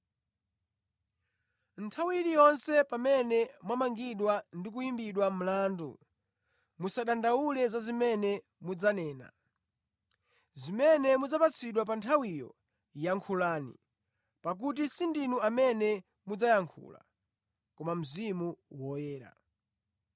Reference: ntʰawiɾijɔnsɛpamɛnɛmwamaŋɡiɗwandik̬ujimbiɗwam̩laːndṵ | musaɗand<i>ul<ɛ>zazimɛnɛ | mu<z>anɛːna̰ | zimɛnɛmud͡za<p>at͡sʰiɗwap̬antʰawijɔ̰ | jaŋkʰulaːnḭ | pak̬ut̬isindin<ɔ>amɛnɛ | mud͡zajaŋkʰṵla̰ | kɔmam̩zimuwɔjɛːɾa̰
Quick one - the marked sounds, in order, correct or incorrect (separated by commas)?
incorrect, correct, incorrect, correct, incorrect